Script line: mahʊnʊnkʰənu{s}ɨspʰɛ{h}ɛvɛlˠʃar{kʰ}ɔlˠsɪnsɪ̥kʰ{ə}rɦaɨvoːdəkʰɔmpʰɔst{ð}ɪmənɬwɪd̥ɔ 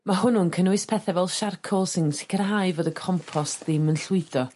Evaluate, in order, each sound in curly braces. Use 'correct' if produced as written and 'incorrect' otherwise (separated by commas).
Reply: incorrect, incorrect, correct, correct, correct